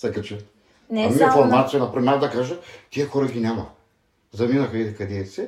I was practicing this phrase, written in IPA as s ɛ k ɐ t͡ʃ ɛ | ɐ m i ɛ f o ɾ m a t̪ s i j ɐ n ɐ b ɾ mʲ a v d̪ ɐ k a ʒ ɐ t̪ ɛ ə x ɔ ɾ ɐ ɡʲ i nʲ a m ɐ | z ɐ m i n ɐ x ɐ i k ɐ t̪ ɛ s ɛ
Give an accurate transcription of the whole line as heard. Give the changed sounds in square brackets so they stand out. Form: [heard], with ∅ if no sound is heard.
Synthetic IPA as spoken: s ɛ k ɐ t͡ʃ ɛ | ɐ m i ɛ f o ɾ m a t̪ s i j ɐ n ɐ [p] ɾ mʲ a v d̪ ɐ k a ʒ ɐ t̪ [i] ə x ɔ ɾ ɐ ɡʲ i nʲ a m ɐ | z ɐ m i n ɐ x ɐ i k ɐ [d̪] ɛ s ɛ